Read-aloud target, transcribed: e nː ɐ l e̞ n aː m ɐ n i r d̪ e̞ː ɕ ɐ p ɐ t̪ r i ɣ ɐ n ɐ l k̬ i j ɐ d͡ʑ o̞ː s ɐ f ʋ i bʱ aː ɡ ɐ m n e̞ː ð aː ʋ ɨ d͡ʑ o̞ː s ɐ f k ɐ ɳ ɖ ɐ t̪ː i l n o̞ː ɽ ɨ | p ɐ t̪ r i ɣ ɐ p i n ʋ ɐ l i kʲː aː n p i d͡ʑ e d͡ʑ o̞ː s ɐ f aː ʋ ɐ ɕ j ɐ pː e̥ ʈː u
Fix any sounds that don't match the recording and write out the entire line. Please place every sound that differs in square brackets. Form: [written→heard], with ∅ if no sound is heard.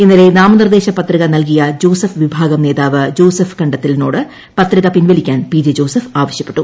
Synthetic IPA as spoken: e nː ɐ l e̞ n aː m ɐ n i r d̪ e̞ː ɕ ɐ p ɐ t̪ r i ɣ ɐ n ɐ l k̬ i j ɐ d͡ʑ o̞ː s ɐ f ʋ i bʱ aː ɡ ɐ m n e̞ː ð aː ʋ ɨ d͡ʑ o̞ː s ɐ f k ɐ ɳ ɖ ɐ t̪ː i l n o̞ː ɽ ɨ | p ɐ t̪ r i ɣ ɐ p i n ʋ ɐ l i kʲː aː n p i d͡ʑ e d͡ʑ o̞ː s ɐ f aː ʋ ɐ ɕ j ɐ pː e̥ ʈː u